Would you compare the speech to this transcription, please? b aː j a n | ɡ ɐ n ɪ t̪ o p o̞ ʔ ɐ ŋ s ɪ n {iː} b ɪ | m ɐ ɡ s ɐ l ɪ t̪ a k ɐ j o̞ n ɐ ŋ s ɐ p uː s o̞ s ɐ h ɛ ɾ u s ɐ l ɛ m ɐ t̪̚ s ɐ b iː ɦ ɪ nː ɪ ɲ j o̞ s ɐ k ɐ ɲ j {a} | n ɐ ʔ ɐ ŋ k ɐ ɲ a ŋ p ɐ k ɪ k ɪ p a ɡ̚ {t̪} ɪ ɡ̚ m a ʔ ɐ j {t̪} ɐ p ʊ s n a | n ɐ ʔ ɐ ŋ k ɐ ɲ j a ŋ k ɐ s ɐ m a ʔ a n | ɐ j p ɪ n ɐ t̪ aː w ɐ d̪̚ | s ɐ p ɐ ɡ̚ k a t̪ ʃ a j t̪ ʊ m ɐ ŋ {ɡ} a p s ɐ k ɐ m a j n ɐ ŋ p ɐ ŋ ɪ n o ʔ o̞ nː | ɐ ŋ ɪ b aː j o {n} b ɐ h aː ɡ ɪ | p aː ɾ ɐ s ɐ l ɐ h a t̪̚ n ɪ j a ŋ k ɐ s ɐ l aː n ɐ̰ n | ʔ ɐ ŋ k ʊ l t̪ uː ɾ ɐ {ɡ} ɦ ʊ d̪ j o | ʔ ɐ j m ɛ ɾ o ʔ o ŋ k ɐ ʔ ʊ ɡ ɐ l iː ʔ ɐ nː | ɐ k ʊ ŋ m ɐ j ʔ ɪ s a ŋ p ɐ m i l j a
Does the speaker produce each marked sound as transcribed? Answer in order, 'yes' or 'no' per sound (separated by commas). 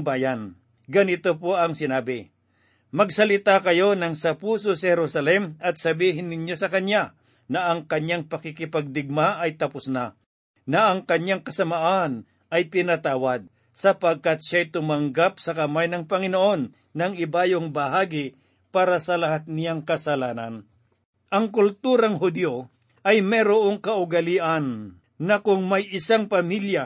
no, yes, no, yes, yes, no, no